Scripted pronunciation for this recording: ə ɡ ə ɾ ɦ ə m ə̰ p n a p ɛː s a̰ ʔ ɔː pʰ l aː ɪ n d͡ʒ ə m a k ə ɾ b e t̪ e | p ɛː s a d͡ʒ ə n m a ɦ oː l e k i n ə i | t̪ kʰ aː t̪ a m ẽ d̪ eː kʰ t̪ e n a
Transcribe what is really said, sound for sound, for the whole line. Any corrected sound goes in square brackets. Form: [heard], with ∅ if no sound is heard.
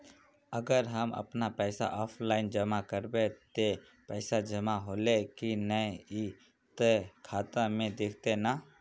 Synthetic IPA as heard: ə ɡ ə ɾ ɦ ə m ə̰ p n a p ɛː s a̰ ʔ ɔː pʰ l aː ɪ n d͡ʒ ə m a k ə ɾ b e t̪ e | p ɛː s a d͡ʒ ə [∅] m a ɦ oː l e k i n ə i | t̪ kʰ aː t̪ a m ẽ d̪ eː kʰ t̪ e n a